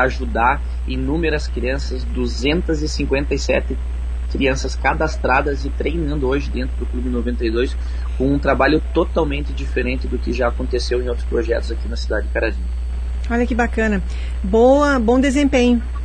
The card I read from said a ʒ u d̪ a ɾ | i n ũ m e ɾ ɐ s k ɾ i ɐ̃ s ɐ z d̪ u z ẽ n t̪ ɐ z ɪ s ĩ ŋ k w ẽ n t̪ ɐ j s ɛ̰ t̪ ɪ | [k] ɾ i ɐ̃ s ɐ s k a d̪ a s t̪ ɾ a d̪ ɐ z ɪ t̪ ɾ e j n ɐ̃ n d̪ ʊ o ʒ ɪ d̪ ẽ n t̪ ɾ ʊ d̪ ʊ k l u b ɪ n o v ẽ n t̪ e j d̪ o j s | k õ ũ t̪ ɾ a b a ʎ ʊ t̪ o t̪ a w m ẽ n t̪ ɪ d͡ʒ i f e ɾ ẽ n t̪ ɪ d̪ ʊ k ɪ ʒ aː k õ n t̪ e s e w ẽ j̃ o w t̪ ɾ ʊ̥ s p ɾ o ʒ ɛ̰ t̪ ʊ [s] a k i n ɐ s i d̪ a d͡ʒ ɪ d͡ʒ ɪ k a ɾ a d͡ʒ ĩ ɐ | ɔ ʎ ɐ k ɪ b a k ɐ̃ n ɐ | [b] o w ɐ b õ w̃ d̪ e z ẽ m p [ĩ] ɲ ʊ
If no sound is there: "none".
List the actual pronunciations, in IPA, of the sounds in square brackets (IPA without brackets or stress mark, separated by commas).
k, z, b, ẽ